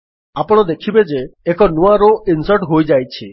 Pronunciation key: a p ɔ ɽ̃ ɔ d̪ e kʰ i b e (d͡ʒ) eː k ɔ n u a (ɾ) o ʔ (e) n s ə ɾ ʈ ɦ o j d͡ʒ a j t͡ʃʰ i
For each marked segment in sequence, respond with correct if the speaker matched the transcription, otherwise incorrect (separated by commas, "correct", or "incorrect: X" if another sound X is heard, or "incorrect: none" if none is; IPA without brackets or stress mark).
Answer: correct, correct, incorrect: i